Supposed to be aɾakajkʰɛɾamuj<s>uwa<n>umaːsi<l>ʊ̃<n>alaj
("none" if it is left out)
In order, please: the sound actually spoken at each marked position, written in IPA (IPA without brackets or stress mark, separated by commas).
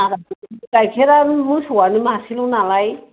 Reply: s, n, l, n